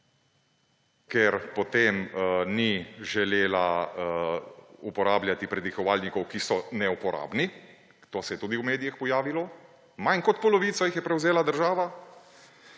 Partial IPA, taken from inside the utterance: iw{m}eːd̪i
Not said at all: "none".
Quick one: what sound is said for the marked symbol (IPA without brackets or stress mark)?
m